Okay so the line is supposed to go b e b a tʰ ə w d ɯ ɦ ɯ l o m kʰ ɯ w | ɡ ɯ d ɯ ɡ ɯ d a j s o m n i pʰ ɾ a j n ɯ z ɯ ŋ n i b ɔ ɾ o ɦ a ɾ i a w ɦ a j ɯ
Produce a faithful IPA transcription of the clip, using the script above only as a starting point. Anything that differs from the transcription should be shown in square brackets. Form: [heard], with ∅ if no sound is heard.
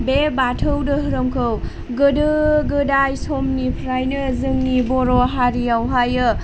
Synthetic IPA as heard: b e b a tʰ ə w d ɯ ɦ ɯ [ɾ] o m kʰ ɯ w | ɡ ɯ d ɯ ɡ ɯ d a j s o m n i pʰ ɾ a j n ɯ z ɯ ŋ n i b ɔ ɾ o ɦ a ɾ i a w ɦ a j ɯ